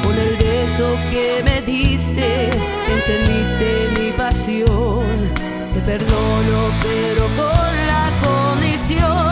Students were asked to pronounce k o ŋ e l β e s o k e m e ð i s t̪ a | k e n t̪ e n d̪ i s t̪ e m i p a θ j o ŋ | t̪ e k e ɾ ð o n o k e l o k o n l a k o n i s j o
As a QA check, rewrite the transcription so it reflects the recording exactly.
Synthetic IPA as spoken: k o n e l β e s o k e m e ð i s t̪ e | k e n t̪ e n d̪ i s t̪ e m i p a s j o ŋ | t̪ e p e ɾ ð o n o p e ɾ o k o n l a k o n i s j o